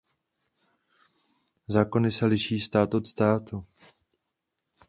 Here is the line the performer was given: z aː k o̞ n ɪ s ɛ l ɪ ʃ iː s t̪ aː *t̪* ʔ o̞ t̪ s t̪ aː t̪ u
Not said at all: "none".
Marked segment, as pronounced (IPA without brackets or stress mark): t̪